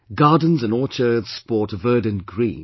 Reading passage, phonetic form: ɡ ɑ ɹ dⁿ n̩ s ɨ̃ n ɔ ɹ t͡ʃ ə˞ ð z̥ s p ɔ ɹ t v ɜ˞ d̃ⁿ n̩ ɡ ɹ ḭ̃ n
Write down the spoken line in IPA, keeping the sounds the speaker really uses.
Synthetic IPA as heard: ɡ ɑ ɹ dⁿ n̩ z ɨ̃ n ɔ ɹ t͡ʃ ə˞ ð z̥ s p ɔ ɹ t v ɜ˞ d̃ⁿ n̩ ɡ ɹ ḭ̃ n